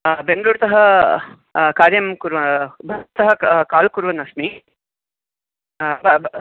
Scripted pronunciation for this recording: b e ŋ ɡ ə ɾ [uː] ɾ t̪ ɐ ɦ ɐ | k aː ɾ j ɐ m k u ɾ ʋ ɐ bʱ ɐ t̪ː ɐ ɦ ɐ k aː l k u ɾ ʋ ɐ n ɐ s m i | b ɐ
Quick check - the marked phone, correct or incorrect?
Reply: correct